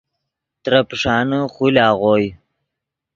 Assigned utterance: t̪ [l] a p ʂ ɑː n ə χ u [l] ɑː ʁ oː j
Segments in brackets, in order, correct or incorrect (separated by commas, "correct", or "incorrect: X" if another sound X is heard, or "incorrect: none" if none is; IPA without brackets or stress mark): incorrect: ɾ, correct